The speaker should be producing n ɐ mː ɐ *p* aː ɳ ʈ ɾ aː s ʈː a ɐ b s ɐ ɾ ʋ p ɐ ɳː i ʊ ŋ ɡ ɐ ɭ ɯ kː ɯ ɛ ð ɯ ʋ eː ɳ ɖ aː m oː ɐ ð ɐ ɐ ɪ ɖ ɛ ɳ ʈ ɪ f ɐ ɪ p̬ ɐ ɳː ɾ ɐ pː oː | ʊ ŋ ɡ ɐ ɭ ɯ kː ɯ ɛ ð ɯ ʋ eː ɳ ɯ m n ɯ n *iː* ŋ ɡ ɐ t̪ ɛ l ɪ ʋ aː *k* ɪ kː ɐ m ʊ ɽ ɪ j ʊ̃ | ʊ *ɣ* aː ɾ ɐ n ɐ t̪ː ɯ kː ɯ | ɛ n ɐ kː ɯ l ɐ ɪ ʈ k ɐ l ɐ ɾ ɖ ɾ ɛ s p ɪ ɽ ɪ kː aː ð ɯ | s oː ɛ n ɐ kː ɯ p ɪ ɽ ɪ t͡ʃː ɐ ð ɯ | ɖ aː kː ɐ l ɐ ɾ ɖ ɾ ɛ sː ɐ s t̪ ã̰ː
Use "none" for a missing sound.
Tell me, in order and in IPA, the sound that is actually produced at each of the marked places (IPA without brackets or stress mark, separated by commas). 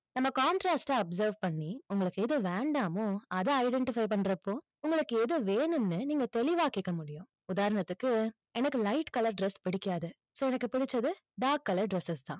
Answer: k, iː, k, ð